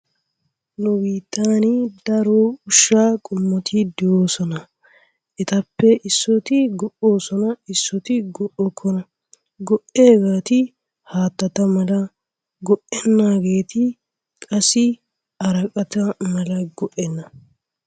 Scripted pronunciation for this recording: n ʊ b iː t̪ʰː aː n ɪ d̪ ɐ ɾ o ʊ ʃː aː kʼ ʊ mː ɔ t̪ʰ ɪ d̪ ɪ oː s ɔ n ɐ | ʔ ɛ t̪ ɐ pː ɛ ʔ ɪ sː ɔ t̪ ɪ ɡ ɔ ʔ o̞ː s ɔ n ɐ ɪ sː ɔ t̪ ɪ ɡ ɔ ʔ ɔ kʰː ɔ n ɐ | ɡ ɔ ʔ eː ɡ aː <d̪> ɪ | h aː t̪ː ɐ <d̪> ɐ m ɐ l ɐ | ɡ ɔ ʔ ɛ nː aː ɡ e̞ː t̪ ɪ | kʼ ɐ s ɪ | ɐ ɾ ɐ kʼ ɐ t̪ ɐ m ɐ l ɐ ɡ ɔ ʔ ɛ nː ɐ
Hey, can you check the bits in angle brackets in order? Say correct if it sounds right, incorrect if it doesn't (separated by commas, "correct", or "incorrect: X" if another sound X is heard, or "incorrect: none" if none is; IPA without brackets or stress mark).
incorrect: t̪, incorrect: t̪